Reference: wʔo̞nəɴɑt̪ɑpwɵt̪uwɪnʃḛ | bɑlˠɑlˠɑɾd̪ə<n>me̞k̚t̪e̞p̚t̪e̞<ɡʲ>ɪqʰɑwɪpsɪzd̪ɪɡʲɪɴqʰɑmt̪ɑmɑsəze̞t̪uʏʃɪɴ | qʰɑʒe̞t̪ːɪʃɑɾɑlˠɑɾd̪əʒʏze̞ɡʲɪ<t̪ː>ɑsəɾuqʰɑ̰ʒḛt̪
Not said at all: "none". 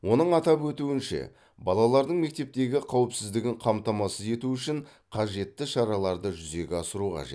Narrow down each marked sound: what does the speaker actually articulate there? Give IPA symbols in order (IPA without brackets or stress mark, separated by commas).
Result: ɴ, ɡʲ, none